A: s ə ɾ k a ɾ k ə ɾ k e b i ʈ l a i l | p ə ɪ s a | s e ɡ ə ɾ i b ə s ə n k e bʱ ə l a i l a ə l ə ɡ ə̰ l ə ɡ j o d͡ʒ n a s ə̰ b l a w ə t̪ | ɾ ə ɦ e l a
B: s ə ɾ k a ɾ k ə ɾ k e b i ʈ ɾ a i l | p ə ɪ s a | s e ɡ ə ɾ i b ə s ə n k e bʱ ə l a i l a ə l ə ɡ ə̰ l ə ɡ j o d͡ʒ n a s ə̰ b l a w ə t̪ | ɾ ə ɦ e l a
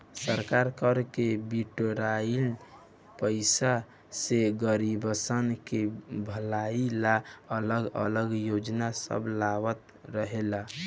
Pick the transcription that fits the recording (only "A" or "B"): B